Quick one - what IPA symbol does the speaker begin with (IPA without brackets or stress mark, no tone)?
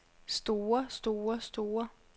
s